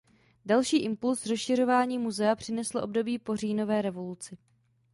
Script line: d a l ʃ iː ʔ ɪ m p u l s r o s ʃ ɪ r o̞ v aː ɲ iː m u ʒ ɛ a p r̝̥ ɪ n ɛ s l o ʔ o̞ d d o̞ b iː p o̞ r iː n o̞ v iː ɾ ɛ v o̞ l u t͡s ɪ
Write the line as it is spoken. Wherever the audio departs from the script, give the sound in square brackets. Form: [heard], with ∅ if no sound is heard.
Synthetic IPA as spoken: d a l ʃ iː ʔ ɪ m p u l s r o s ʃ ɪ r o̞ v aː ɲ iː m u [z] ɛ a p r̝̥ ɪ n ɛ s l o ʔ o̞ [b] d o̞ b iː p o̞ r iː n o̞ v [ɛː] ɾ ɛ v o̞ l u t͡s ɪ

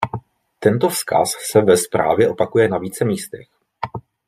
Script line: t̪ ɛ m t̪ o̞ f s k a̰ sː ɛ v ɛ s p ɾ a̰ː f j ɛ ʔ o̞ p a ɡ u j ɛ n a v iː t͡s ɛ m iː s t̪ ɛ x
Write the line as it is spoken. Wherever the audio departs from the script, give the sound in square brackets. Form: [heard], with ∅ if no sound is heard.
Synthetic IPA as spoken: t̪ ɛ [n] t̪ o̞ f s k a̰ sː ɛ v ɛ s p ɾ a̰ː [v] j ɛ ʔ o̞ p a [k] u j ɛ n a v iː t͡s ɛ m iː s t̪ ɛ x

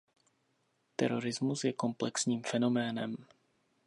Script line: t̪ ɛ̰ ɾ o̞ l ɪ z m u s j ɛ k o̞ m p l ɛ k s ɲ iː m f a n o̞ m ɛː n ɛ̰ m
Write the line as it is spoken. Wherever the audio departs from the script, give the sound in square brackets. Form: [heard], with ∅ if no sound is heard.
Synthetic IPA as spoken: t̪ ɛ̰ ɾ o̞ [ɾ] ɪ z m u s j ɛ k o̞ m p l ɛ k s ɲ iː m f [ɛ] n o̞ m ɛː n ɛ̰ m

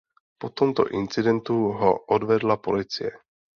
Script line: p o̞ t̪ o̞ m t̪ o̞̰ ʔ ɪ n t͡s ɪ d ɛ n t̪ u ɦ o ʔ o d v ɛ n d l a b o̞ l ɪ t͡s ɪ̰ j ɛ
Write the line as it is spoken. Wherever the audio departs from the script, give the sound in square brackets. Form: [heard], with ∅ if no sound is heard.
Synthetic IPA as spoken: p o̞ t̪ o̞ m t̪ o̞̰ ʔ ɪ n t͡s ɪ d ɛ n t̪ u ɦ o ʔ o d v ɛ [∅] d l a [p] o̞ l ɪ t͡s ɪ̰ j ɛ

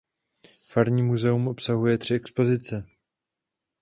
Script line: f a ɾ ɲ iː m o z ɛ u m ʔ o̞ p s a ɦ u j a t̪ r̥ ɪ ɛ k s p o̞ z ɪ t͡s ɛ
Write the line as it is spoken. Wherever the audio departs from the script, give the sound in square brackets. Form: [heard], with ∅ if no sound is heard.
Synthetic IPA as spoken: f a ɾ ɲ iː m [u] z ɛ u m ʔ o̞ p s a ɦ u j [ɛ] t̪ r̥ ɪ ɛ k s p o̞ z ɪ t͡s ɛ

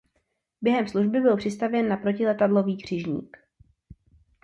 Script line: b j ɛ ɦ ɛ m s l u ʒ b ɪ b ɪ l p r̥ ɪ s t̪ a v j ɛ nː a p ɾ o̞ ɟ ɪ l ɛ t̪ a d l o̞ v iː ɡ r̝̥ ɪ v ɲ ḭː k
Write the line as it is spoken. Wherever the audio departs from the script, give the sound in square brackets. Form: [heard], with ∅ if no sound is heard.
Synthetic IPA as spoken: b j ɛ ɦ ɛ m s l u ʒ b ɪ b ɪ l p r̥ ɪ s t̪ a v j ɛ nː a p ɾ o̞ [c] ɪ l ɛ t̪ a d l o̞ v iː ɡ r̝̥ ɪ [ʒ] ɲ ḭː k

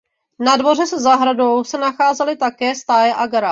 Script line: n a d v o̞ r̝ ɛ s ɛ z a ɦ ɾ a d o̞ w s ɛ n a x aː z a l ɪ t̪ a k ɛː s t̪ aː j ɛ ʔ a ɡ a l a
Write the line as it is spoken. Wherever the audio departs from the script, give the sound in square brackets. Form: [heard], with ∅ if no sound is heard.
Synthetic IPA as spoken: n a d v o̞ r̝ ɛ s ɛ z a ɦ ɾ a d o̞ w s ɛ n a x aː z [ɛ] l ɪ t̪ a k ɛː s t̪ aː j ɛ ʔ a ɡ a [ɾ] a

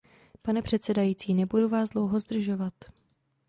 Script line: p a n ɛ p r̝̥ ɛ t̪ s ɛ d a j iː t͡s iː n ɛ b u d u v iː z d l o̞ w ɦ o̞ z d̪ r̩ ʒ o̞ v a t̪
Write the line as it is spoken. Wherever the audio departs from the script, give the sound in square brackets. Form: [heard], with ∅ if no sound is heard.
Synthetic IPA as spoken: p a n ɛ p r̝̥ ɛ t̪ s ɛ d a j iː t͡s iː n ɛ b u d u v [aː] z d l o̞ w ɦ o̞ z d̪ r̩ ʒ o̞ v a t̪

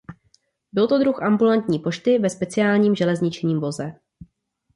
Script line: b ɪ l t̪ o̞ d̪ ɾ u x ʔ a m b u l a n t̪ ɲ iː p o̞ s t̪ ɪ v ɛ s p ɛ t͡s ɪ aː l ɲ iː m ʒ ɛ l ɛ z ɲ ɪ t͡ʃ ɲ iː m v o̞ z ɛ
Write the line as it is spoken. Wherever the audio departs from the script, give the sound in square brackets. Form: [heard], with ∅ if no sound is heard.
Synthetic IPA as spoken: b ɪ l t̪ o̞ d̪ ɾ u x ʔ a m b u l a n t̪ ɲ iː p o̞ [ʃ] t̪ ɪ v ɛ s p ɛ t͡s ɪ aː l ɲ iː m ʒ ɛ l ɛ z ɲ ɪ t͡ʃ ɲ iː m v o̞ z ɛ

